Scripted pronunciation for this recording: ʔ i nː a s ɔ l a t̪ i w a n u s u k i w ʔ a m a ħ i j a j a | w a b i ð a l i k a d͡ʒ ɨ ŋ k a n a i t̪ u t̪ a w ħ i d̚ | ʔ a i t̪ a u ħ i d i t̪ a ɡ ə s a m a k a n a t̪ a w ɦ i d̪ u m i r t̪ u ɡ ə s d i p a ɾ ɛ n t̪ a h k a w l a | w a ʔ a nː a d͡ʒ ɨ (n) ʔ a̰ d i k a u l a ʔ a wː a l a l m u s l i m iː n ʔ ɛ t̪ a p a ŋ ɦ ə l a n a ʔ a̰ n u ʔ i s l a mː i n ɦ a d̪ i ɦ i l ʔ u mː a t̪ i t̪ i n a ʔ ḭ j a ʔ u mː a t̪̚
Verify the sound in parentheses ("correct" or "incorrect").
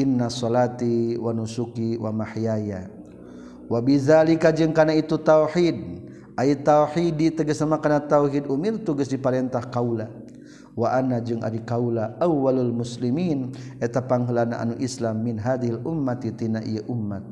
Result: incorrect